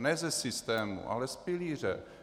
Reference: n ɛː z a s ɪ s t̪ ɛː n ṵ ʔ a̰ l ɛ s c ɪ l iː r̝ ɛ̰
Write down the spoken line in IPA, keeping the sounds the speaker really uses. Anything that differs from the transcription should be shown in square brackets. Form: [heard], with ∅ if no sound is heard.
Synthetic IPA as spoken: n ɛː z [ɛ] s ɪ s t̪ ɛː [m] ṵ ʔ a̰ l ɛ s [p] ɪ l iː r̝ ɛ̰